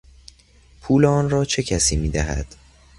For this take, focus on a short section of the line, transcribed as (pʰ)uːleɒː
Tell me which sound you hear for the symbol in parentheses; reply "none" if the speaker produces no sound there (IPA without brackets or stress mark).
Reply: pʰ